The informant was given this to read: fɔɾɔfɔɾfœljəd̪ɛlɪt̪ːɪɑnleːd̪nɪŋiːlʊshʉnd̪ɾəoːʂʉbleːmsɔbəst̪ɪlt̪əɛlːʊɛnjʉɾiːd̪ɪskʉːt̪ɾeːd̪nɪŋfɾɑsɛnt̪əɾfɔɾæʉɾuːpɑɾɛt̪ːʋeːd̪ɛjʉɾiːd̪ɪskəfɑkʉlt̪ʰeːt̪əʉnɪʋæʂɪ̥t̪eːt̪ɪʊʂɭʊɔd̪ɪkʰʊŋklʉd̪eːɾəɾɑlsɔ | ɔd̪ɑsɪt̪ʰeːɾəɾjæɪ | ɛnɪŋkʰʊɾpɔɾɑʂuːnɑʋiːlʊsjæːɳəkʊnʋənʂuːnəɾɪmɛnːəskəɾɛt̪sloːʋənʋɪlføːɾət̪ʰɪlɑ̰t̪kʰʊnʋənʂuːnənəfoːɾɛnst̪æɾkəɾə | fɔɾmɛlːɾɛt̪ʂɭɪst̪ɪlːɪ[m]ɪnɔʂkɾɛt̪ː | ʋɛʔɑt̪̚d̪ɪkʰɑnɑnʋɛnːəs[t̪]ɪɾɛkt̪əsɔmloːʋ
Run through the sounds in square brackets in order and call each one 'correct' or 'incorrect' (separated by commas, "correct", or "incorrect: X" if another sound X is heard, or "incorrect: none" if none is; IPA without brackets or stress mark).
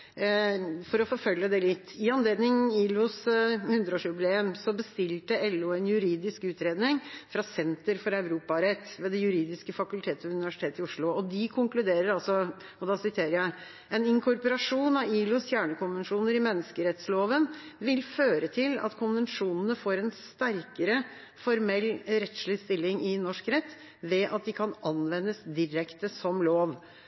incorrect: ŋ, incorrect: d̪